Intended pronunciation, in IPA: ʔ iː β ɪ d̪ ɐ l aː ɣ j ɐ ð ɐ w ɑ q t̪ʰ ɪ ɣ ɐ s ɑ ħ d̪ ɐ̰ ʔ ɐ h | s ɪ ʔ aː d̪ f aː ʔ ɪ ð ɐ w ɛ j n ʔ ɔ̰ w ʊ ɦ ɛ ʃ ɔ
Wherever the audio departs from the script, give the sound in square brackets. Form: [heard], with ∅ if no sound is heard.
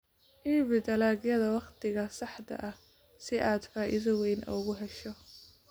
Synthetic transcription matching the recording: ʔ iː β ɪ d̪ ɐ l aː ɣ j ɐ ð ɐ w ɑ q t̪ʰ ɪ ɣ ɐ s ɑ ħ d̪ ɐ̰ ʔ ɐ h | s ɪ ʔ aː d̪ f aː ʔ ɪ ð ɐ w ɛ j n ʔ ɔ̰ [ɣ] ʊ ɦ ɛ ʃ ɔ